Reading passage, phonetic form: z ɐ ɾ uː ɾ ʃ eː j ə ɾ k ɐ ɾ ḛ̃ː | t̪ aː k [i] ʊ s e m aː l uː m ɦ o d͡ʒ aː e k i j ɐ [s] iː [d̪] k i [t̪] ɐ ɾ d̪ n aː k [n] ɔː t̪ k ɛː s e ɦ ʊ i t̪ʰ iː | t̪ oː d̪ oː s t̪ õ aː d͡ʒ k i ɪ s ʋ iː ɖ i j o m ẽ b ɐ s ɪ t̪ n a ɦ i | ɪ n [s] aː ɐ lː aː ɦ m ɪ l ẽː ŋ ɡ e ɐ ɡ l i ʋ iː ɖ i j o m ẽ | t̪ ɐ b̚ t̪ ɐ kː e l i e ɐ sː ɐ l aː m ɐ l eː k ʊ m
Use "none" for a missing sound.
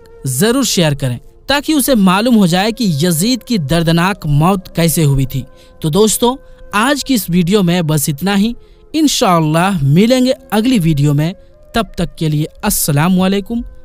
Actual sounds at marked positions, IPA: i, z, d̪, d̪, m, ʃ

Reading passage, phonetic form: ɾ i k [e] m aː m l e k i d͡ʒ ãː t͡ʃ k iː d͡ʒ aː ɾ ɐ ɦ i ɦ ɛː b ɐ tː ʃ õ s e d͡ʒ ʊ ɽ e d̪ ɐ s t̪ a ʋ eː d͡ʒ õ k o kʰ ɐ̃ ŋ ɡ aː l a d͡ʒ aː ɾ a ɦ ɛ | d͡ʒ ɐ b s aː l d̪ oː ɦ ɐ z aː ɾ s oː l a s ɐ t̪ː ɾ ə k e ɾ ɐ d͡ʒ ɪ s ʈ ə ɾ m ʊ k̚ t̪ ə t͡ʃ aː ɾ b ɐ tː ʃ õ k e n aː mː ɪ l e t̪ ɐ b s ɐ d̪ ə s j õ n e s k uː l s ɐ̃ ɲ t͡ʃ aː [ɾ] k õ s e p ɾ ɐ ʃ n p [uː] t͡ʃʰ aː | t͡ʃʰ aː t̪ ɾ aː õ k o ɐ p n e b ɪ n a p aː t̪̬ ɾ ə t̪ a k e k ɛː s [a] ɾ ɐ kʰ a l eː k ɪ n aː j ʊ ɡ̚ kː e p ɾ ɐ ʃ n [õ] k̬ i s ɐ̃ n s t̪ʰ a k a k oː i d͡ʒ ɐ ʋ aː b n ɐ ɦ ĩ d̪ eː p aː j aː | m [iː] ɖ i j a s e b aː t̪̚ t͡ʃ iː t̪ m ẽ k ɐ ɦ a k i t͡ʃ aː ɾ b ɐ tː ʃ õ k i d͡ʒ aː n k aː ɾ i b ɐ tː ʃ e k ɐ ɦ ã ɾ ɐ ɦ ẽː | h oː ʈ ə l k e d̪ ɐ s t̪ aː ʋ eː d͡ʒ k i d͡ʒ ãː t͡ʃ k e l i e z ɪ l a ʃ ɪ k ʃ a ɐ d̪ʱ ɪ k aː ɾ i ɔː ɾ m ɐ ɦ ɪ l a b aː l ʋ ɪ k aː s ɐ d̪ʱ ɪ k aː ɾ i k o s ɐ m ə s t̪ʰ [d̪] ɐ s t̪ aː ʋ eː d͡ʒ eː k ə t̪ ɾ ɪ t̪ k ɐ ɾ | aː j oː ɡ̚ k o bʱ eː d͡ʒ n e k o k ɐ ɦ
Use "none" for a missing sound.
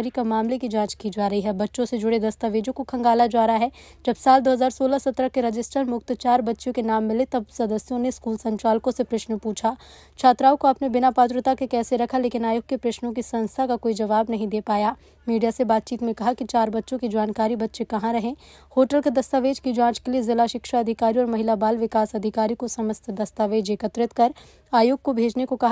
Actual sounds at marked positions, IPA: a, l, uː, e, õ, iː, d̪

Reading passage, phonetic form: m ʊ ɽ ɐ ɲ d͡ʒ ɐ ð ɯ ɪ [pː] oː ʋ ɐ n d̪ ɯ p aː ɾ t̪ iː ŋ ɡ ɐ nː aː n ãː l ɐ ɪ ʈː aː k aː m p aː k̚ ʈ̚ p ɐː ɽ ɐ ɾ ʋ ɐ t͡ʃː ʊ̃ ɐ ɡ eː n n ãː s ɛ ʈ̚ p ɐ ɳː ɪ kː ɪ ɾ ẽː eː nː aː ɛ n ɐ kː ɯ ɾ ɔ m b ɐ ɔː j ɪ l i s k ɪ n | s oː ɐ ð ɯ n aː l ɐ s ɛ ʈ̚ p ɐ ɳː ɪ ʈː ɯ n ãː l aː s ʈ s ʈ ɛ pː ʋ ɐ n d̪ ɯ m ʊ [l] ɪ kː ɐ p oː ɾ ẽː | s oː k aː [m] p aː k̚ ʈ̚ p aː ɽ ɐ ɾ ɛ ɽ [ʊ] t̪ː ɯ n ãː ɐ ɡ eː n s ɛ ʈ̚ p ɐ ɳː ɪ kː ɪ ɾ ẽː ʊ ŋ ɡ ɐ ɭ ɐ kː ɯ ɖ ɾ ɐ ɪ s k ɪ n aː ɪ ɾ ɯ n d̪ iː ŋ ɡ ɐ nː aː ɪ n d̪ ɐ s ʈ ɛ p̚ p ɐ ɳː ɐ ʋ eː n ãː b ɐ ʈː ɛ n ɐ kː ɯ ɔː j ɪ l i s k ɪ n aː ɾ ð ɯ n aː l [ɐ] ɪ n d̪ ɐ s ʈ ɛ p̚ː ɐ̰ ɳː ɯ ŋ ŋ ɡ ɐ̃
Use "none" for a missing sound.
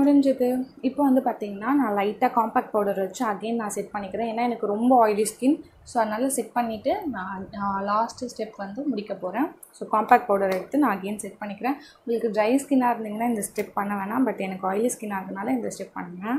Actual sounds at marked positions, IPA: pː, ɽ, m, ɯ, ɐ

